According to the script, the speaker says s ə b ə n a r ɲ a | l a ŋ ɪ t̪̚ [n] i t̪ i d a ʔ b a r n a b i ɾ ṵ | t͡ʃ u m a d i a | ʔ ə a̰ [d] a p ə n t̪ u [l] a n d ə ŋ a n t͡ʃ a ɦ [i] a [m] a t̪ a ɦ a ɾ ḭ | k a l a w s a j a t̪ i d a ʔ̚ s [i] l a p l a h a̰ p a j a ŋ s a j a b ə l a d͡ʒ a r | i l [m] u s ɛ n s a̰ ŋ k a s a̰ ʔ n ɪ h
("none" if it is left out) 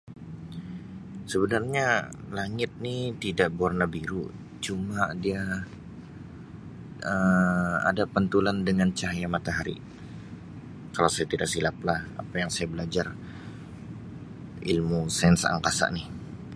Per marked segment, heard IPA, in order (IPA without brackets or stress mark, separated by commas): n, d, l, j, m, i, m